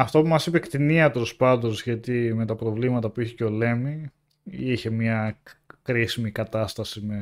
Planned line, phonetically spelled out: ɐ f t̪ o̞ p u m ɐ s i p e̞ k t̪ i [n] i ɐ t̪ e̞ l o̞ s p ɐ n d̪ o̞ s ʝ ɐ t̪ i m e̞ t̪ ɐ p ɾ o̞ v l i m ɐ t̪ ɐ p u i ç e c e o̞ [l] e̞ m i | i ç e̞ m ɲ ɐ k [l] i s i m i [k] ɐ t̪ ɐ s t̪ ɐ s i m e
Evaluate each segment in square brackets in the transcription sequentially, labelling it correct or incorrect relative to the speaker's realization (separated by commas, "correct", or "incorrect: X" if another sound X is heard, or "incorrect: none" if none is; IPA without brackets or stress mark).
correct, correct, incorrect: ɾ, correct